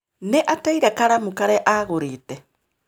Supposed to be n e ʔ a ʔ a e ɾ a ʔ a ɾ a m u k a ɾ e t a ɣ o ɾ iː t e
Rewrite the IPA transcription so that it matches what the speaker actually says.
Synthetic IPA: n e ʔ a t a i ɾ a k a ɾ a m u k a ɾ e ʔ a ɣ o ɾ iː t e

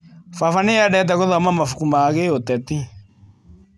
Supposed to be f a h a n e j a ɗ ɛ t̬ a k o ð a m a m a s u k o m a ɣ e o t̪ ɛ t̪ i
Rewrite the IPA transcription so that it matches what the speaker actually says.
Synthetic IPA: f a f a n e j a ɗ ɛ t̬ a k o ð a m a m a f u k u m a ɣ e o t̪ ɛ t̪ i

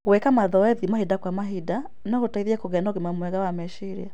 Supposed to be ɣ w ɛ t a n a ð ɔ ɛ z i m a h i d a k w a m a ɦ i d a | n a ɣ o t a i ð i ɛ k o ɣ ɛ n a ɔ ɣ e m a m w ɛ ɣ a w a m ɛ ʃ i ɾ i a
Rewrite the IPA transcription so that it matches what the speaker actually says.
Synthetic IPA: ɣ w ɛ k a m a ð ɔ ɛ ð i m a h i d a k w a m a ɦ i d a | n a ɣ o t a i ð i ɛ k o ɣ ɛ n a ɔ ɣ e m a m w ɛ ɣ a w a m ɛ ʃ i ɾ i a

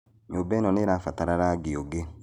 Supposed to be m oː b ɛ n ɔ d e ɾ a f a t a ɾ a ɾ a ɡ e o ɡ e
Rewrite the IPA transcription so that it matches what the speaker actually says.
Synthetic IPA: ɲ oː b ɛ n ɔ n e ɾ a f a t a ɾ a ɾ a ɡ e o ɡ e

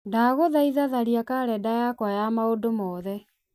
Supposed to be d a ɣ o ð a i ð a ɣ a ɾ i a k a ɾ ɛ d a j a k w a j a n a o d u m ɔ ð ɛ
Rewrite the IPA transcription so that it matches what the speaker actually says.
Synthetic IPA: d a ɣ o ð a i ð a ð a ɾ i a k a ɾ ɛ d a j a k w a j a m a o d o m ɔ ð ɛ

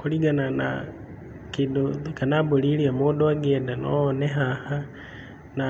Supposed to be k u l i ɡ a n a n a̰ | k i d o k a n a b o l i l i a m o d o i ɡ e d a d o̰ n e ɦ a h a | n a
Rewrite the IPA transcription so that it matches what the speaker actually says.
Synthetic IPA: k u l i ɡ a n a n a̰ | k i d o k a n a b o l i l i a m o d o a ɡ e d a n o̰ n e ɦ a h a | n a

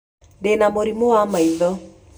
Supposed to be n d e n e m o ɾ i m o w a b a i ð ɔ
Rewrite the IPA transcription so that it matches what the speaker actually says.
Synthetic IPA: n d e n a m o ɾ i m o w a m a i ð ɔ

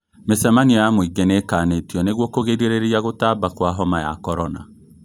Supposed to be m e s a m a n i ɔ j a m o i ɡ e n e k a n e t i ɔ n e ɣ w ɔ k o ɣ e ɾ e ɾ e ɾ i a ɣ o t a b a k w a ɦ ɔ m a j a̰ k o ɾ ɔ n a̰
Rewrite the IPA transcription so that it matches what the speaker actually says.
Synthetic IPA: m e s ɛ m a n i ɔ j a m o i ɡ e n e k a n e t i ɔ n e ɣ w ɔ k o ɣ e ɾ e ɾ e ɾ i a ɣ o t a b a k w a ɦ ɔ m a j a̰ k ɔ ɾ ɔ n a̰

